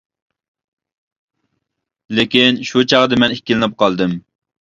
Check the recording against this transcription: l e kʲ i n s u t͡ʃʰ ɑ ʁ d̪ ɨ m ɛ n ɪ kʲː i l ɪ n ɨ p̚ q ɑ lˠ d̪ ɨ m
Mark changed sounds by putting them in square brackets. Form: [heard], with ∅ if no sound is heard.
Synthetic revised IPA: l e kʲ i n [ʃ] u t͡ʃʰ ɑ ʁ d̪ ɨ m ɛ n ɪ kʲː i l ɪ n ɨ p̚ q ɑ lˠ d̪ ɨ m